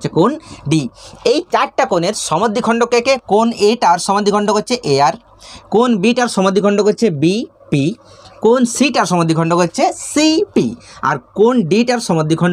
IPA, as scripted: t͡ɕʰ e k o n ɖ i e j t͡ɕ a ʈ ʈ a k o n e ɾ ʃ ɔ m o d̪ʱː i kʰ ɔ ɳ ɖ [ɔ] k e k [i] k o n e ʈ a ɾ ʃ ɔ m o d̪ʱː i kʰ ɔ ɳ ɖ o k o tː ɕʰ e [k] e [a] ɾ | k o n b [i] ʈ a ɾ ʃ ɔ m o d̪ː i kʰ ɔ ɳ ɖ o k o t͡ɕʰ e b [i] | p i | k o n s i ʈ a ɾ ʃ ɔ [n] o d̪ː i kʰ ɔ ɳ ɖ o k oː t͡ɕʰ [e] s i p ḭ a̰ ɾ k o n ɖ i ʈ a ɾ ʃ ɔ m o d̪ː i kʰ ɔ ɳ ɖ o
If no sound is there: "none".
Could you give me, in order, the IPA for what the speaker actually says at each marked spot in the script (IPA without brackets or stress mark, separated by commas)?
o, e, ʔ, a, i, i, m, e